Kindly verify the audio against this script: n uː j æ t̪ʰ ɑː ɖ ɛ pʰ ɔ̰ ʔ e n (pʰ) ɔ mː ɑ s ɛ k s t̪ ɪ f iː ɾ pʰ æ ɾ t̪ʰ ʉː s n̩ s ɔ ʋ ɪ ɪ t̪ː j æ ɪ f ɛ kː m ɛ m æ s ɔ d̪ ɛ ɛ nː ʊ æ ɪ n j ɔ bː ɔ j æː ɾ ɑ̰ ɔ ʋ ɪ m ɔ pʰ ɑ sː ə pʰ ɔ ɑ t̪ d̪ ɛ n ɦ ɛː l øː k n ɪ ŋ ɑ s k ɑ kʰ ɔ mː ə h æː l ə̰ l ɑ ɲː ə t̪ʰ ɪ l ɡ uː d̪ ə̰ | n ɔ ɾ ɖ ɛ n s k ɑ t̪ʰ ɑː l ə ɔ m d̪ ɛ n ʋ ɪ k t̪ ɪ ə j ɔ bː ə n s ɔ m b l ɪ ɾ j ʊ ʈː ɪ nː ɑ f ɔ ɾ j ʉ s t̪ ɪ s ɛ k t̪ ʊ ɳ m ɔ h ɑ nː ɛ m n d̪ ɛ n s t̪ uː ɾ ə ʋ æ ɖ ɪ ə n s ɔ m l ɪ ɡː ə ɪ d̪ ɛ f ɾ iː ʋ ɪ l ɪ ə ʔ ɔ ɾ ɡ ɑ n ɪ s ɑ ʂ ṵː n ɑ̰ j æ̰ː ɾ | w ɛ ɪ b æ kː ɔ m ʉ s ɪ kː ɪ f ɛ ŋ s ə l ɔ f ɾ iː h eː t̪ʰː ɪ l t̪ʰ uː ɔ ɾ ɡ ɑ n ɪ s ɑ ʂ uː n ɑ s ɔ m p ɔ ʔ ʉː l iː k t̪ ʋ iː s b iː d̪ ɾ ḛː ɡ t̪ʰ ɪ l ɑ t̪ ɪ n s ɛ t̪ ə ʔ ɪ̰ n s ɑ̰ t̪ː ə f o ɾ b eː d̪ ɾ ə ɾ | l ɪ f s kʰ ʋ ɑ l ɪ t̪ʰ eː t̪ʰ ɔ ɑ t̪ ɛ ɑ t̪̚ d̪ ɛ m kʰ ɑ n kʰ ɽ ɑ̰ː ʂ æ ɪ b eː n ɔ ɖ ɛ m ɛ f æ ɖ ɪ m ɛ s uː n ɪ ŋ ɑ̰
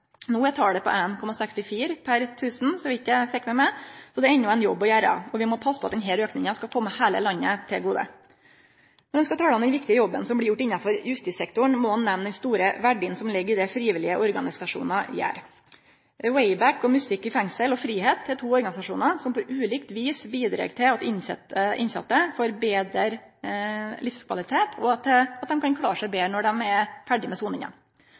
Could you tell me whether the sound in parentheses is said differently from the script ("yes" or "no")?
yes